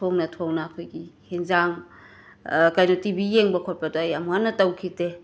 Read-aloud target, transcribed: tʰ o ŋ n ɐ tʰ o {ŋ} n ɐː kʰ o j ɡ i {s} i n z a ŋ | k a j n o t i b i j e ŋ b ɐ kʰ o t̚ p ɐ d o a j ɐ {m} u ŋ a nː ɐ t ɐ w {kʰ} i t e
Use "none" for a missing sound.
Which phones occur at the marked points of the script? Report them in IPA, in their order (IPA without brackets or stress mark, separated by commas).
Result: ŋ, h, m, kʰ